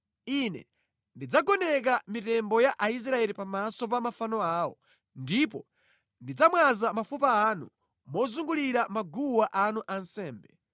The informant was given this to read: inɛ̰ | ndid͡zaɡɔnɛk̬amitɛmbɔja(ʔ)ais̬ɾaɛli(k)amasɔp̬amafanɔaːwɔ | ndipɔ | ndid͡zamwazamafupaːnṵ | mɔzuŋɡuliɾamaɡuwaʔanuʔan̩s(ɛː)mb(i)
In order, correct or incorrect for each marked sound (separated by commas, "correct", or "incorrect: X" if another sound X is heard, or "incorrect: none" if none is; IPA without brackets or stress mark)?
correct, incorrect: p, correct, incorrect: ɛ